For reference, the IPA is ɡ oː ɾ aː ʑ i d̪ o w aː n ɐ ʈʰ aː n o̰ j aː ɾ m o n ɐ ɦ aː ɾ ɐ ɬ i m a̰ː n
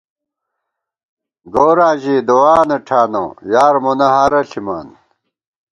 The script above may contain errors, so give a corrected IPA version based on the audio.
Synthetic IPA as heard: ɡ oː ɾ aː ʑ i d̪ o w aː n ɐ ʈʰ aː n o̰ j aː ɾ m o n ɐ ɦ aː ɾ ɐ ɬ i m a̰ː n